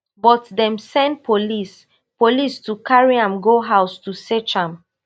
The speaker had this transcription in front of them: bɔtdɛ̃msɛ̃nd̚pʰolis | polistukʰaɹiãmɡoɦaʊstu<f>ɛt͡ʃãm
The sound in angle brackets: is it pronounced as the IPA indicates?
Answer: no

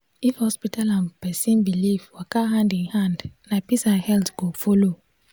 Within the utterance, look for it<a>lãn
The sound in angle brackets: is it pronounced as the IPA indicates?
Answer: yes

